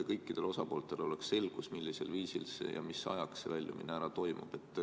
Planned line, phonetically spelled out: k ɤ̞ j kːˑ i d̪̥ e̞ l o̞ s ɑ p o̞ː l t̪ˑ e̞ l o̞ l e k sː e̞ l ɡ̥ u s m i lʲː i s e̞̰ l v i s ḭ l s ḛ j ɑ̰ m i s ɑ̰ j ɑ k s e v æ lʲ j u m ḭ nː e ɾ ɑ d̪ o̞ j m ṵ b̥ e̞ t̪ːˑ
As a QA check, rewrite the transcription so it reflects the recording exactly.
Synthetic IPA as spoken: k ɤ̞ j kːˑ i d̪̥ e̞ l o̞ s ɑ p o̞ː l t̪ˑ e̞ l o̞ l e k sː e̞ l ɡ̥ u s m i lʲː i s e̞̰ l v iː s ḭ l s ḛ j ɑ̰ m i s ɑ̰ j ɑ k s e v æ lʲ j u m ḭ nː æ ɾ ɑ t̪ o̞ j m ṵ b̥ e̞ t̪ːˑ